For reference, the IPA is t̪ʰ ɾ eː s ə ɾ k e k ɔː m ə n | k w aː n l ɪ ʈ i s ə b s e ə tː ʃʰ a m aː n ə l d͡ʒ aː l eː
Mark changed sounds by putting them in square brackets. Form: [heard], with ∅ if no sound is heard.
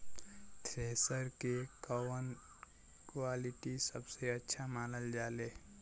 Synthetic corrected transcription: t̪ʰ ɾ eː s ə ɾ k e k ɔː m ə n | k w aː [∅] l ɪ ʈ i s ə b s e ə tː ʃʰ a m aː n ə l d͡ʒ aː l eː